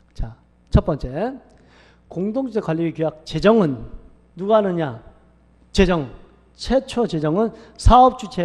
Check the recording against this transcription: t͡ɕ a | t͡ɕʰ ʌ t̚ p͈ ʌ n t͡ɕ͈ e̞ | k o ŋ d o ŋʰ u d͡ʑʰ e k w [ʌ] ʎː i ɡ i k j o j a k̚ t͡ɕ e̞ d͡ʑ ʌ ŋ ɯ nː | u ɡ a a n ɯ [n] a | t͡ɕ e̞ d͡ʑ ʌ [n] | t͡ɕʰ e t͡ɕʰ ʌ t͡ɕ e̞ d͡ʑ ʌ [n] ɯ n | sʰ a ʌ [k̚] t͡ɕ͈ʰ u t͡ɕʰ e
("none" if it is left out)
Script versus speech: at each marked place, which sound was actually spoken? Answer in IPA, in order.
a, ɲ, ŋ, ŋ, p̚

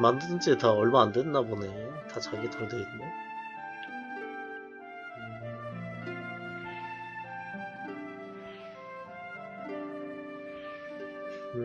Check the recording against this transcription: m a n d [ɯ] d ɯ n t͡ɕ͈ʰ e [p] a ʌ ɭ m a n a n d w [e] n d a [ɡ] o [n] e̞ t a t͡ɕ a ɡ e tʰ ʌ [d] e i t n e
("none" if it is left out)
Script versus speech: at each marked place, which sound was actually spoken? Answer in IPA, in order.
ɯ, t, e, b, n, d

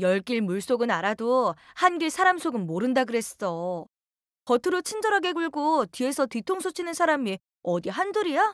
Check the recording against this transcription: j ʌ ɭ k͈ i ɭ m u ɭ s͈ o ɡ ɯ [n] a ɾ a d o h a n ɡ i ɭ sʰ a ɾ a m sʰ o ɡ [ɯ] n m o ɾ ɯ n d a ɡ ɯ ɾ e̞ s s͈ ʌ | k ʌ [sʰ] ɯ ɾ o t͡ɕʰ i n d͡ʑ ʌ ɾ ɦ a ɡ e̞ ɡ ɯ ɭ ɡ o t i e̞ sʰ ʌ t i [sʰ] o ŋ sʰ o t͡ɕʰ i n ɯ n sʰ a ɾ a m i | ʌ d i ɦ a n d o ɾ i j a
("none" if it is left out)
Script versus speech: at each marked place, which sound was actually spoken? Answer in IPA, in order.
n, ɯ, tʰ, tʰ

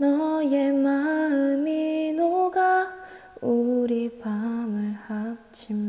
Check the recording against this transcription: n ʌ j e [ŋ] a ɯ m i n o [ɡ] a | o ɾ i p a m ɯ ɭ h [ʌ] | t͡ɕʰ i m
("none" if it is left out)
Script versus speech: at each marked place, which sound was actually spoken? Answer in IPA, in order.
m, ɡ, a

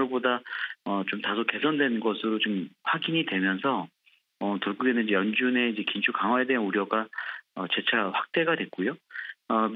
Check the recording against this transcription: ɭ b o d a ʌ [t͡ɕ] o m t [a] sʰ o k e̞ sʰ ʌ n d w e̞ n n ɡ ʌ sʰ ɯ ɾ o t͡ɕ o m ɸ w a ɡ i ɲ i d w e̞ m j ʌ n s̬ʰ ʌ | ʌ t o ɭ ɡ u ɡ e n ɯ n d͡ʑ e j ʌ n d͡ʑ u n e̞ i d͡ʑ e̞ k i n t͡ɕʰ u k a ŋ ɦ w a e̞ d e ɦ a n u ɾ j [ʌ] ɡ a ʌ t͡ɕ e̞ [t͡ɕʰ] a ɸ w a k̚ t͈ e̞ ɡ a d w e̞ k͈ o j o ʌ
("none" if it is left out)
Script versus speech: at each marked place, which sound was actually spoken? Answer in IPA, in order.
t͡ɕ, a, ʌ, t͡ɕʰ

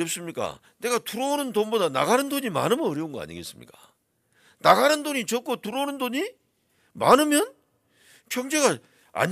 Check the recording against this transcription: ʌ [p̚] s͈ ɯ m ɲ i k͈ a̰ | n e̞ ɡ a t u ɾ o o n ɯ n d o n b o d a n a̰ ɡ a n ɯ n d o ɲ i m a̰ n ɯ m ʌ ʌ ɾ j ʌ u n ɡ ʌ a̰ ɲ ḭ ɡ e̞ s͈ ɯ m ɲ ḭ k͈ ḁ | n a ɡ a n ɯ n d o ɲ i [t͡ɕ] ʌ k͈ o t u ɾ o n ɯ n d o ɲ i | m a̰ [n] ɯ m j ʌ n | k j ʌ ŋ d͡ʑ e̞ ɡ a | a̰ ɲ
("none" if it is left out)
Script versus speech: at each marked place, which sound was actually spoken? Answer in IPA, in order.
p̚, t͡ɕ, n

